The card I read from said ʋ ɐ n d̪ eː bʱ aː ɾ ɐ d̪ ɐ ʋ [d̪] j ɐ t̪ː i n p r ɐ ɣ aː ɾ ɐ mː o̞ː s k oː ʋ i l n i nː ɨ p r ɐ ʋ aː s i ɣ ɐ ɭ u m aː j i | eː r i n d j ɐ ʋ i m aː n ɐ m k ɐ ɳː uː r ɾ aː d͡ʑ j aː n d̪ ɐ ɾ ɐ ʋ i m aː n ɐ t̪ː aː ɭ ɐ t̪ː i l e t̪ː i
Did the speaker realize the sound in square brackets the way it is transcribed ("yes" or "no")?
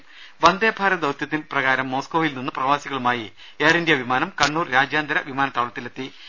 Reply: no